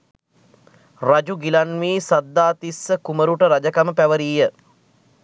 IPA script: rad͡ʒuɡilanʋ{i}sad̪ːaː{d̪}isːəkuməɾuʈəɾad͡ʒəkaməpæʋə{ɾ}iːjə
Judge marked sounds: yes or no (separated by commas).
no, no, yes